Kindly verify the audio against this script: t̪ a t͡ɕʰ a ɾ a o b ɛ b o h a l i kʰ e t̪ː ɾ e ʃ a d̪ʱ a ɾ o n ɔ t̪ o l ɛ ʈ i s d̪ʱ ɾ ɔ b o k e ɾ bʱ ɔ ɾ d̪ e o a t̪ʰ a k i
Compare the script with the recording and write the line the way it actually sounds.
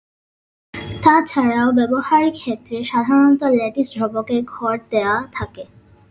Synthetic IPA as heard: t̪ a t͡ɕʰ a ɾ a o b ɛ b o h a ɾ i kʰ e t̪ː ɾ e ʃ a d̪ʱ a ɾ o n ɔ t̪ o l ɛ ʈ i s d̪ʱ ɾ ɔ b o k e ɾ ɡʱ ɔ ɾ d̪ e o a t̪ʰ a k e